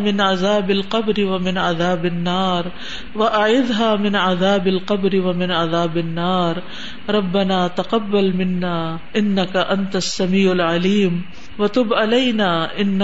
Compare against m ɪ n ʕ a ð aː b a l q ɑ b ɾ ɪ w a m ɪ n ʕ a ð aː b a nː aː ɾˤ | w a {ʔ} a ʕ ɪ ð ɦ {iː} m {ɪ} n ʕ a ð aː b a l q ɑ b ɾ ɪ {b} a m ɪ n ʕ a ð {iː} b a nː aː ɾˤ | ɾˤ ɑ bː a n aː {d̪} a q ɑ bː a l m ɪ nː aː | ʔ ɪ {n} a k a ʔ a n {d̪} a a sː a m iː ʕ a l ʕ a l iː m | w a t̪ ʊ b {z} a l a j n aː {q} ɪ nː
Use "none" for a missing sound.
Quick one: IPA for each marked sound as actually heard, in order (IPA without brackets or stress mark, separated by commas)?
ʔ, aː, ɪ, w, aː, t̪, nː, t̪, ʕ, ʔ